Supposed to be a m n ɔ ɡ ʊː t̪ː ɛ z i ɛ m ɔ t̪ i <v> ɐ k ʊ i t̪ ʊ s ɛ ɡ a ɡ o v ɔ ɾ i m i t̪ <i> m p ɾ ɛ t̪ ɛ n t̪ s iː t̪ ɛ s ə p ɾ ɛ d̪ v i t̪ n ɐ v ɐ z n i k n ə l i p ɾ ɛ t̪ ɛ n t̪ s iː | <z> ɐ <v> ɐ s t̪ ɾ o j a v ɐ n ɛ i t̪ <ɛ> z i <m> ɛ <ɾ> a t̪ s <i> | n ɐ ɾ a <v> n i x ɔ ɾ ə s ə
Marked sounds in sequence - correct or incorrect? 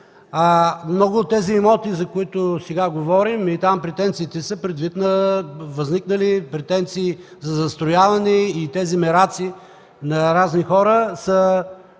incorrect, incorrect, correct, incorrect, correct, correct, correct, correct, incorrect

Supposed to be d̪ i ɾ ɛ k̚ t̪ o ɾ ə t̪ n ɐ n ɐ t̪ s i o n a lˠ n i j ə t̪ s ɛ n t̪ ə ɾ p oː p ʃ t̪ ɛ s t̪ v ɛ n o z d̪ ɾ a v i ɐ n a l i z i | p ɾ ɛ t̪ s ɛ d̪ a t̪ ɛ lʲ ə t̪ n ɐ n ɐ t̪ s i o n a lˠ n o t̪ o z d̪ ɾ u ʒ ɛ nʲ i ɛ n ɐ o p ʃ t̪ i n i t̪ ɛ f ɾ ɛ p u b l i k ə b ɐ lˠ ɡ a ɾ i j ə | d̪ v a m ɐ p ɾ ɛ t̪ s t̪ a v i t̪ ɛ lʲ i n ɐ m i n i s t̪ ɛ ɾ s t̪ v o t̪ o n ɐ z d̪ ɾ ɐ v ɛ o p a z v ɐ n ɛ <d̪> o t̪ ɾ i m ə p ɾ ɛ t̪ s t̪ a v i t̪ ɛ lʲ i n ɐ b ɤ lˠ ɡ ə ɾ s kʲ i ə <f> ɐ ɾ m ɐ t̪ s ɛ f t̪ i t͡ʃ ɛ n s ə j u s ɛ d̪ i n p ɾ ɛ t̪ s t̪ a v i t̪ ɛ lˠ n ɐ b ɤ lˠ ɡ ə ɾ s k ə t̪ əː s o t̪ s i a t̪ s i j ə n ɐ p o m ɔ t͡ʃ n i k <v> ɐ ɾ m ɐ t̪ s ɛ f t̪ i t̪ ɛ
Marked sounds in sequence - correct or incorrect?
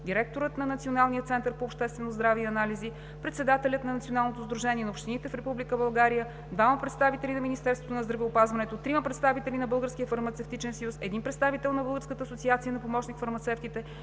incorrect, correct, incorrect

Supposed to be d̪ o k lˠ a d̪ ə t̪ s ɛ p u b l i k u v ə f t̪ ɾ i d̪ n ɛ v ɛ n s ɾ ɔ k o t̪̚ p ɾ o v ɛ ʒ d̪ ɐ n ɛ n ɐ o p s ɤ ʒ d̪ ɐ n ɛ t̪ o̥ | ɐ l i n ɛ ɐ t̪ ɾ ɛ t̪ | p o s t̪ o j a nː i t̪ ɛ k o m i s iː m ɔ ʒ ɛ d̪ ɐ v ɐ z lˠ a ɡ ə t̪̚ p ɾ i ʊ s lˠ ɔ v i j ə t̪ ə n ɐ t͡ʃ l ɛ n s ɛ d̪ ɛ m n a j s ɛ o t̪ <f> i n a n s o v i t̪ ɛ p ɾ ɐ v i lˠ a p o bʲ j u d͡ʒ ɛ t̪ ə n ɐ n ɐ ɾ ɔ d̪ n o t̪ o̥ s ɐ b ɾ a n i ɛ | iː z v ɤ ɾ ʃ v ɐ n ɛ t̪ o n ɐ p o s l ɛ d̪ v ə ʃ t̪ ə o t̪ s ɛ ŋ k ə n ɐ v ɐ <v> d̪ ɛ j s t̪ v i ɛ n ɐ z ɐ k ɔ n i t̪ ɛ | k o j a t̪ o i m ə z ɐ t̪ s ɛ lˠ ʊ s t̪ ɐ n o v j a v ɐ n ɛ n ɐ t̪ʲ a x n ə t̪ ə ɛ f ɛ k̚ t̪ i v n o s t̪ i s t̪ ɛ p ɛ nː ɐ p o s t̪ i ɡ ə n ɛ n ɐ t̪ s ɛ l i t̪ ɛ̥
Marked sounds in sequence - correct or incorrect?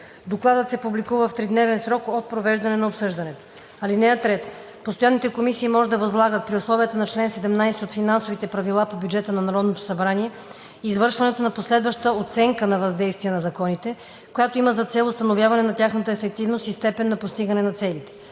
correct, incorrect

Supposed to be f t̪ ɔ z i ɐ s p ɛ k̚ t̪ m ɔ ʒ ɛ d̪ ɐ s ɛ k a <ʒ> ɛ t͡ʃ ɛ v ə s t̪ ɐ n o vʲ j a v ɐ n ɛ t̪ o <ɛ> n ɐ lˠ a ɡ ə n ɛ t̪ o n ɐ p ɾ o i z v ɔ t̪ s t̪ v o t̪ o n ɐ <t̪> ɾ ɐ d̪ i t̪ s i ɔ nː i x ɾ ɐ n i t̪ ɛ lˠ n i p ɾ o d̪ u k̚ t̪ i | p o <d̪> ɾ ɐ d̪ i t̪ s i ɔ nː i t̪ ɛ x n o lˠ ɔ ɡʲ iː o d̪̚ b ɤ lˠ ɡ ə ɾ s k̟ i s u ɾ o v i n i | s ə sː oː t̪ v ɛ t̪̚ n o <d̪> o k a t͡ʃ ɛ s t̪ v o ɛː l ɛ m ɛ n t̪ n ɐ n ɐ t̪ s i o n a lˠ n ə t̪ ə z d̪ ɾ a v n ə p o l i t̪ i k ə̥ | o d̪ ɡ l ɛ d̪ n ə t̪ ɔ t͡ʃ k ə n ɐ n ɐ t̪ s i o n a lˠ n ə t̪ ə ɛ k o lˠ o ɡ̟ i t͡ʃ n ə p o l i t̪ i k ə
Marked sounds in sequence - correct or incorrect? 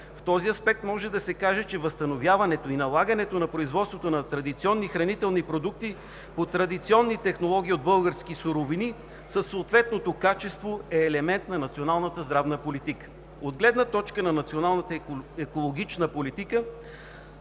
correct, incorrect, correct, incorrect, incorrect

